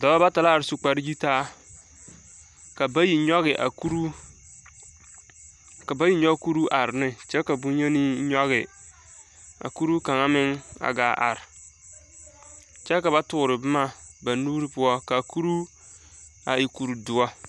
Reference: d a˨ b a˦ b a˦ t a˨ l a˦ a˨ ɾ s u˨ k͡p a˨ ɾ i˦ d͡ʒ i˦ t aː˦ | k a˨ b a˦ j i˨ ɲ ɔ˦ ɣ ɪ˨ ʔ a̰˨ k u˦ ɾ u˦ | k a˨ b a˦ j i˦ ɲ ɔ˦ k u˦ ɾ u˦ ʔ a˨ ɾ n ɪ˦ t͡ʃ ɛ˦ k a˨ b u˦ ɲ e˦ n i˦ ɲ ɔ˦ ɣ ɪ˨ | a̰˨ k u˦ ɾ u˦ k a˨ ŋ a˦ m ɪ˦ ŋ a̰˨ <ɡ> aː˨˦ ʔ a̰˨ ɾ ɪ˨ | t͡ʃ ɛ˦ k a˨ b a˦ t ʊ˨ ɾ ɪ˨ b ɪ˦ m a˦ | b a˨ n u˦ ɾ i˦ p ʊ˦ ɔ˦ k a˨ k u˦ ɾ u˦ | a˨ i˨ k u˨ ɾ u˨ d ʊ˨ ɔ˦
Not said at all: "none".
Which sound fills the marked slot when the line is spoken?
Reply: ɡ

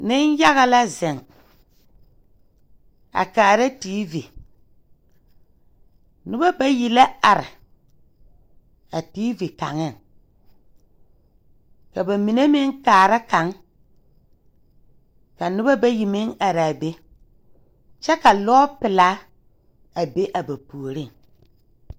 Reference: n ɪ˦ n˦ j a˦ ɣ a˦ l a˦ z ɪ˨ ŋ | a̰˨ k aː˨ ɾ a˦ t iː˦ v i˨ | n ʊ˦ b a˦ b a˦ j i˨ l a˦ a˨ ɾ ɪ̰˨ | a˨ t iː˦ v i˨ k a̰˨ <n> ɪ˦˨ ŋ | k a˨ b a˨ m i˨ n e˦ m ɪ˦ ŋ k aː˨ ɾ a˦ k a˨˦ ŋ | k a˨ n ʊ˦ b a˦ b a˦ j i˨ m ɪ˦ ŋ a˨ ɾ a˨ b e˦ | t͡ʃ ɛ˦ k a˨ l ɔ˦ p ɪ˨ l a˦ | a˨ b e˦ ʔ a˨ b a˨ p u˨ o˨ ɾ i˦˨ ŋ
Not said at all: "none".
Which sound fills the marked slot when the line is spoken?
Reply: ŋ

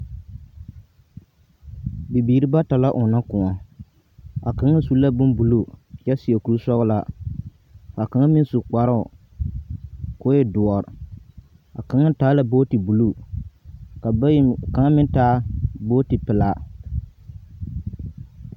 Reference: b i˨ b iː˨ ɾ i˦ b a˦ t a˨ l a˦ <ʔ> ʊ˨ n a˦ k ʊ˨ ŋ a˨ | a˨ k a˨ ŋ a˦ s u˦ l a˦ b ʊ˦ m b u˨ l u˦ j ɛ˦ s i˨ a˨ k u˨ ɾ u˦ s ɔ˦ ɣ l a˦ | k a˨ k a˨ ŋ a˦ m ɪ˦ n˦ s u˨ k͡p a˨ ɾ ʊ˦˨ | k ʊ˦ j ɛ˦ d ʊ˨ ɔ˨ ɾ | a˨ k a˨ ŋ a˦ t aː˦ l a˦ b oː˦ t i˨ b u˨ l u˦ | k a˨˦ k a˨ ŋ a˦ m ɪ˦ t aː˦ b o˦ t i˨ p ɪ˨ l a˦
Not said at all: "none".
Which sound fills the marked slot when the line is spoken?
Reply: ʔ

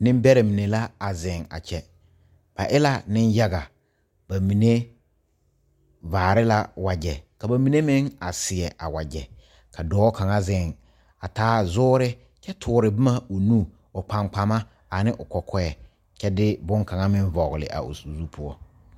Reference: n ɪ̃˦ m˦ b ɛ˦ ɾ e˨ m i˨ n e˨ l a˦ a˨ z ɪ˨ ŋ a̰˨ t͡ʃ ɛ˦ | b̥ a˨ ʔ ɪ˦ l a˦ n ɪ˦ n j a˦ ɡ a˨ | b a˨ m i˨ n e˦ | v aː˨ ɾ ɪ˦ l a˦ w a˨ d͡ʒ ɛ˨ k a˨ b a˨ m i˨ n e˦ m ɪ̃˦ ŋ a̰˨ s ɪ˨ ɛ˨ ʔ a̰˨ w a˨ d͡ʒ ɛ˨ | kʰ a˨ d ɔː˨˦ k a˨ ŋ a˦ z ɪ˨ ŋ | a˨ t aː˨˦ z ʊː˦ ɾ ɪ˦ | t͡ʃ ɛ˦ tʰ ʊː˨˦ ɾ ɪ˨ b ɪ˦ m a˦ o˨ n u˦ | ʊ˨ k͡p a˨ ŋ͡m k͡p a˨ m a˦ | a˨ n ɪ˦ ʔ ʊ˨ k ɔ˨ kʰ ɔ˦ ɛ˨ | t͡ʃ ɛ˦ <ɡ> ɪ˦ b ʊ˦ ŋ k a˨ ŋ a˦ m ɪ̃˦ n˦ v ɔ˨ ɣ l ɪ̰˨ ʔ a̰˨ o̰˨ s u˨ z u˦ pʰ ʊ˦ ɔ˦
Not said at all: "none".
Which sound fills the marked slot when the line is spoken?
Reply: d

